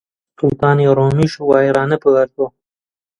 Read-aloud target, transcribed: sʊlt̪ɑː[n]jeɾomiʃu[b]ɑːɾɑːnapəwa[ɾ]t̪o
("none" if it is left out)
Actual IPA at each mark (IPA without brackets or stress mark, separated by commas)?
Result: n, w, ɾ